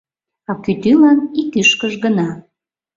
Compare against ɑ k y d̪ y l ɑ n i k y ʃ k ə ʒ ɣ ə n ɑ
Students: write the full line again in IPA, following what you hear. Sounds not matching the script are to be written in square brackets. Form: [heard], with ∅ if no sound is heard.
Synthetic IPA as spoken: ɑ k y [t̪] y l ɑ n i k y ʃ k ə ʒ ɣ ə n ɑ